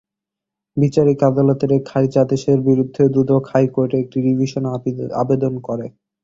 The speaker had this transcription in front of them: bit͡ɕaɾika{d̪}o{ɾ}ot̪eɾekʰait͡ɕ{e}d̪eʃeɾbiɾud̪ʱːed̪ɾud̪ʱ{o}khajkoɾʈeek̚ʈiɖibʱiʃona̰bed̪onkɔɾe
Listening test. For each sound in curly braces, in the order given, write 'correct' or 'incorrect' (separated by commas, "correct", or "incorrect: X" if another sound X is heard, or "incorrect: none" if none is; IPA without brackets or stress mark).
correct, incorrect: l, incorrect: a, correct